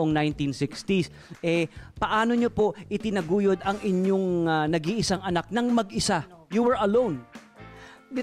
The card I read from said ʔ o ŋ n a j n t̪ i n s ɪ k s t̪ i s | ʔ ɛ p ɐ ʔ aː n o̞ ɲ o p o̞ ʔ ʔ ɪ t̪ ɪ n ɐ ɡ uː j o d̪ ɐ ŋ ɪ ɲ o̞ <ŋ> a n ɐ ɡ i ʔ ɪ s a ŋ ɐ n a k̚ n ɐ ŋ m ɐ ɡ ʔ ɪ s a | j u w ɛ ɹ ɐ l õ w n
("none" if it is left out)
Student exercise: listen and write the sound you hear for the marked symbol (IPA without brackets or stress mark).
ŋ